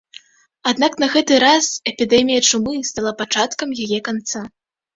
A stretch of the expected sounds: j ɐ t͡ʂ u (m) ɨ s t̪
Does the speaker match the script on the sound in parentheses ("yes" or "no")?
yes